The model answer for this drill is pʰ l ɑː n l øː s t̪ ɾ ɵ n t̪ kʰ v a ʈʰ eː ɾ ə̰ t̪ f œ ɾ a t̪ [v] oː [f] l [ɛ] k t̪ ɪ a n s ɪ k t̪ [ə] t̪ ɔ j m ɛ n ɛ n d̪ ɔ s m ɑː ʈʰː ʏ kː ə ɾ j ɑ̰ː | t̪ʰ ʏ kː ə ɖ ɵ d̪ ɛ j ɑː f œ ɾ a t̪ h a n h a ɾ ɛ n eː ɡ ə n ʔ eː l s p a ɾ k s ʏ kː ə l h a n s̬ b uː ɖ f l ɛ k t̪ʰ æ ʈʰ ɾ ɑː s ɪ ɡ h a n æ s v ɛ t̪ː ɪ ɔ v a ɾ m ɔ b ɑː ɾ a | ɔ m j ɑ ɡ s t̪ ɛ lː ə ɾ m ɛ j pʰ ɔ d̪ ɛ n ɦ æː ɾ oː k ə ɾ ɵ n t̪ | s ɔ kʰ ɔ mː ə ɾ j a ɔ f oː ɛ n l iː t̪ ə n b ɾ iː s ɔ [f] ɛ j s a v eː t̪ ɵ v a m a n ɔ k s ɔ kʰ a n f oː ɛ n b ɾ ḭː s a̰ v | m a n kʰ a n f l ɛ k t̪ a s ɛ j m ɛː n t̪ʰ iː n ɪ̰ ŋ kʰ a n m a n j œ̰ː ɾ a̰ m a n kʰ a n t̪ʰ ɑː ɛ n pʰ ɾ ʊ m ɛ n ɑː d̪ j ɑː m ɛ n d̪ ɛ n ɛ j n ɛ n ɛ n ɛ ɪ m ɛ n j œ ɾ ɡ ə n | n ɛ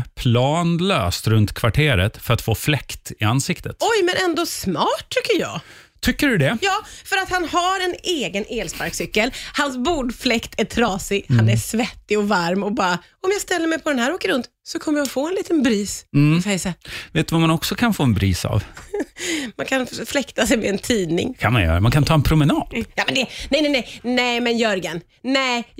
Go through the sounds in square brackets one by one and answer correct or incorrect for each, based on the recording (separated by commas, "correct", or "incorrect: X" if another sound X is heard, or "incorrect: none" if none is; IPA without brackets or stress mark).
incorrect: f, correct, correct, correct, correct